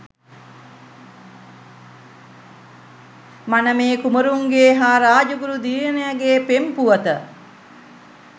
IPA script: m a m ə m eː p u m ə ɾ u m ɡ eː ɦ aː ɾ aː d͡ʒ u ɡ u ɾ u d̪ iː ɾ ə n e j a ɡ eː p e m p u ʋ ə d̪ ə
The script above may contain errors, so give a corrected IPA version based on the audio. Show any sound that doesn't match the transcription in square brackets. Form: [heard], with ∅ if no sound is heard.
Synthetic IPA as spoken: m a [n] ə m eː [k] u m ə ɾ u [ŋ] ɡ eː ɦ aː ɾ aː d͡ʒ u ɡ u ɾ u d̪ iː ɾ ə n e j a ɡ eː p e m p u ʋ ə [t̪] ə